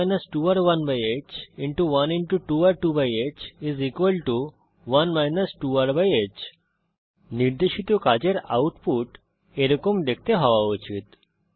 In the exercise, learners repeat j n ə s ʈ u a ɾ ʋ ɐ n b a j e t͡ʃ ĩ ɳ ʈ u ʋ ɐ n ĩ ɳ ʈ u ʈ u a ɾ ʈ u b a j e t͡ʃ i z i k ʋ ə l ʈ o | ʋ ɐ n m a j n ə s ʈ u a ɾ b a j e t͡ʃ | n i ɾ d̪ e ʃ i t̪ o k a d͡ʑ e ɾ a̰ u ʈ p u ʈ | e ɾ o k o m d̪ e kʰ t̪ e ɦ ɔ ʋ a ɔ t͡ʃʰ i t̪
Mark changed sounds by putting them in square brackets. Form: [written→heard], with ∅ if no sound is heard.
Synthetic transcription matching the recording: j n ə s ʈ u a ɾ ʋ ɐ n b a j e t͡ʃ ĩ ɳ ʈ u ʋ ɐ n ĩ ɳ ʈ u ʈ u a ɾ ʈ u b a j e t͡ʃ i z i k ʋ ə l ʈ [o→u] | ʋ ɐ n m a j n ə s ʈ u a ɾ b a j e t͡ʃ | n i ɾ d̪ e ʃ i t̪ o k a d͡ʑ e ɾ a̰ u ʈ p u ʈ | e ɾ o k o m d̪ e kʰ t̪ e ɦ ɔ ʋ a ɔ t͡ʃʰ i t̪